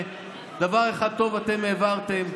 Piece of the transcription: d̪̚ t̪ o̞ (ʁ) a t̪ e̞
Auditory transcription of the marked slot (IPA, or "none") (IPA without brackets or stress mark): v